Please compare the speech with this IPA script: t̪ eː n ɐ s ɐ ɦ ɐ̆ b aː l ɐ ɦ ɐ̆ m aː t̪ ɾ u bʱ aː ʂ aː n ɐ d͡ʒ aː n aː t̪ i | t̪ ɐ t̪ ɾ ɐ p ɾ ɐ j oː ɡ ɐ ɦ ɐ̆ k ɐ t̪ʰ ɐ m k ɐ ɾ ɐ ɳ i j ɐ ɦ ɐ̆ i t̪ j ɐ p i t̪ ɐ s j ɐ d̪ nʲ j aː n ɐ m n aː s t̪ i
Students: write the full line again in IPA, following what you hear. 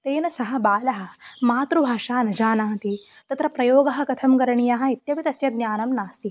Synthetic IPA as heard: t̪ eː n ɐ s ɐ ɦ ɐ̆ b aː l ɐ ɦ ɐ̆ m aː t̪ ɾ u bʱ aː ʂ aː n ɐ d͡ʒ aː n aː t̪ i | t̪ ɐ t̪ ɾ ɐ p ɾ ɐ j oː ɡ ɐ ɦ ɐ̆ k ɐ t̪ʰ ɐ m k ɐ ɾ ɐ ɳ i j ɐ ɦ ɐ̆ i t̪ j ɐ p i t̪ ɐ s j ɐ d̪ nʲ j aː n ɐ m n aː s t̪ i